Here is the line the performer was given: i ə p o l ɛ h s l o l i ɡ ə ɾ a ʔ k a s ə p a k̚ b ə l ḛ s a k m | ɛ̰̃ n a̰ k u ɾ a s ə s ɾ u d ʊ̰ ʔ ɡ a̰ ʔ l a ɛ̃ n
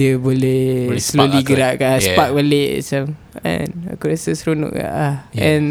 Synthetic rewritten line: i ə b o l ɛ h s l o l i ɡ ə ɾ a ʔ k a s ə p a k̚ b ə l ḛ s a m | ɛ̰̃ n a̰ k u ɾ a s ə s ɾ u n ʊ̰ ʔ k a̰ ʔ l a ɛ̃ n